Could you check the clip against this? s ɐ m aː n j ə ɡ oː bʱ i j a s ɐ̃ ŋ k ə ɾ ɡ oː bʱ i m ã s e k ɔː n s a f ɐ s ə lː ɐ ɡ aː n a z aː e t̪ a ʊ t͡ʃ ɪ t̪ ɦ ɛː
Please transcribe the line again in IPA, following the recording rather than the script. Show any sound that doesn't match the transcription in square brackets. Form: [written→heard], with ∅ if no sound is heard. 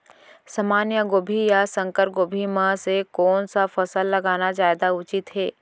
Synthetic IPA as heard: s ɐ m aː n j ə ɡ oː bʱ i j a s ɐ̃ ŋ k ə ɾ ɡ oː bʱ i m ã s e k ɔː n s a f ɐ s ə lː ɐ ɡ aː n a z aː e [t̪→d̪] a ʊ t͡ʃ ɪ t̪ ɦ ɛː